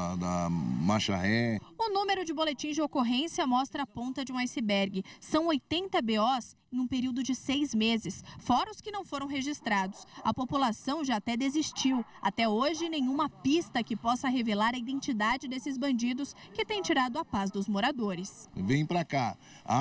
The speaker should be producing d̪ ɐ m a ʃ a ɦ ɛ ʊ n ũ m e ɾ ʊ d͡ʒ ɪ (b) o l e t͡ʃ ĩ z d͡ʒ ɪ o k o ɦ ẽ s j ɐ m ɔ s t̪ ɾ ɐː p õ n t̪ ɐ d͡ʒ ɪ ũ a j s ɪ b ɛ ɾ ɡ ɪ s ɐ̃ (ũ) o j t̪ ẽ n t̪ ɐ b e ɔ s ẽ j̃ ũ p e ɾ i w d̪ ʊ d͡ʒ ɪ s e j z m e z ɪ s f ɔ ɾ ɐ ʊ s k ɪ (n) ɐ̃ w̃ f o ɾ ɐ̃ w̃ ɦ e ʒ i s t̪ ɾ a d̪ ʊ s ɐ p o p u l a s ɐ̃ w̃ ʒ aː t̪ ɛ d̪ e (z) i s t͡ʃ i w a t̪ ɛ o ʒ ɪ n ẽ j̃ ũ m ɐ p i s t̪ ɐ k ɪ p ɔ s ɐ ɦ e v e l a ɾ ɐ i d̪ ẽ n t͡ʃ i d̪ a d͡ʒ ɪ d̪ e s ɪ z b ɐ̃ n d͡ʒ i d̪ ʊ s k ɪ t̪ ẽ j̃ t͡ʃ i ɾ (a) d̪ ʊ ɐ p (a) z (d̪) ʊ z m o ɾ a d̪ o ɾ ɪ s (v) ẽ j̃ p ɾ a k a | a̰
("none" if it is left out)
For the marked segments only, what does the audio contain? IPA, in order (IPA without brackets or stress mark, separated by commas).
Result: b, w̃, n, z, a, a, d̪, v